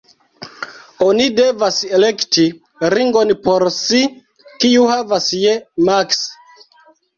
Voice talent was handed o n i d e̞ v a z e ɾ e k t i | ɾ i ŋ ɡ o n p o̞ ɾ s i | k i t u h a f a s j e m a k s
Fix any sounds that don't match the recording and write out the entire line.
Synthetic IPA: o n i d e̞ v a s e l e k t i | ɾ i ŋ ɡ o n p o̞ ɾ s i | k i u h a v a s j e m a k s